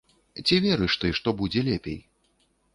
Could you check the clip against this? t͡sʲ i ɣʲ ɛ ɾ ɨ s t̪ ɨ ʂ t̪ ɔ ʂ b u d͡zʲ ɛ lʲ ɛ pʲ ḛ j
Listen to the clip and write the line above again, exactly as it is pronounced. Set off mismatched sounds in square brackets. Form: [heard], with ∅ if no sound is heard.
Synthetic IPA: t͡sʲ i [vʲ] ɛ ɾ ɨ [ʂ] t̪ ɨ ʂ t̪ ɔ [∅] b u d͡zʲ ɛ lʲ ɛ pʲ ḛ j